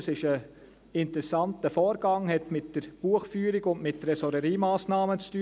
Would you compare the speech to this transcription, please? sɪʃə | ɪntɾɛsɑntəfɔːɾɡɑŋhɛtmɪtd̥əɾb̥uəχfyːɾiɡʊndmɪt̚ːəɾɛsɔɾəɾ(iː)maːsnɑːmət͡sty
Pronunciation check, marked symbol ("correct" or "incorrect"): correct